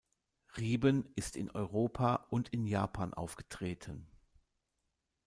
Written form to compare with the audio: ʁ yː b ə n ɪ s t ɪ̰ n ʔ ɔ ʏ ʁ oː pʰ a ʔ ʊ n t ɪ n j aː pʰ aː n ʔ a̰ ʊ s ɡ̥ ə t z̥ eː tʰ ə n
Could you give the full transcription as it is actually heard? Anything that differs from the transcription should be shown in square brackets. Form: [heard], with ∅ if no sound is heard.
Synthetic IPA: ʁ [iː] b ə n ɪ s t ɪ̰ n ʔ ɔ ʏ ʁ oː pʰ a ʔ ʊ n t ɪ n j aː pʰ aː n ʔ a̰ ʊ [f] ɡ̥ ə t [ʁ̥] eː tʰ ə n